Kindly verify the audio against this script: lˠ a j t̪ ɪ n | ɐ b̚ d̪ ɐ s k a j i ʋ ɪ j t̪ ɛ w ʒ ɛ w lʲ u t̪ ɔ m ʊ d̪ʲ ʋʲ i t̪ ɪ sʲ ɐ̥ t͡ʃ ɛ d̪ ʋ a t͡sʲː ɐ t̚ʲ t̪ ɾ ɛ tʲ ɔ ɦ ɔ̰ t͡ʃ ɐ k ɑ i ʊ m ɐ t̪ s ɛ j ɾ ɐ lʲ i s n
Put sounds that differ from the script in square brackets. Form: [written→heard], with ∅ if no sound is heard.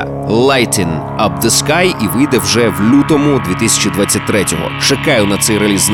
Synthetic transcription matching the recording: lˠ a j t̪ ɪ n | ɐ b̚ d̪ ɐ s k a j i ʋ ɪ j [t̪→d̪] ɛ w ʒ ɛ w lʲ u t̪ ɔ m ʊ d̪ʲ ʋʲ i t̪ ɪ sʲ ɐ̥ t͡ʃ [ɛ→i] d̪ ʋ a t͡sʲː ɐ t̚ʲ t̪ ɾ ɛ tʲ ɔ ɦ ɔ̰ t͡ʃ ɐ k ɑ [i→j] ʊ [m→n] ɐ t̪ s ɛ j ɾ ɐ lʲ i [s→z] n